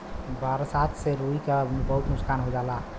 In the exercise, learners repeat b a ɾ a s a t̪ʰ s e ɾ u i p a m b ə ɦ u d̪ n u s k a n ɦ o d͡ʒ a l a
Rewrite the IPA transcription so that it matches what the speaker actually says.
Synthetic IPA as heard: b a ɾ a s a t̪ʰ s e ɾ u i k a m b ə ɦ u t̪ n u s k a n ɦ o d͡ʒ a l a